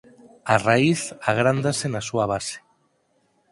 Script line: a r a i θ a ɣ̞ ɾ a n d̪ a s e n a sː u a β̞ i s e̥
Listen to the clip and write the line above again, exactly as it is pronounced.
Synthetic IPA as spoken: a r a i θ a ɣ̞ ɾ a n d̪ a s e n a s u a β̞ a s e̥